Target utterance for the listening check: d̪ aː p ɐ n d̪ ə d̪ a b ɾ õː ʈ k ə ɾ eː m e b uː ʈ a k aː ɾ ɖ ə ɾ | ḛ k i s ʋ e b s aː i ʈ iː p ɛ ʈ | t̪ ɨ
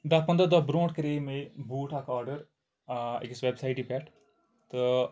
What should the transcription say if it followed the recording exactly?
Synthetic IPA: d̪ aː p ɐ n d̪ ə d̪ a b ɾ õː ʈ k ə ɾ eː m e b uː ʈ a k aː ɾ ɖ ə ɾ | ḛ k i s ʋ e b s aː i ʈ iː p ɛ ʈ | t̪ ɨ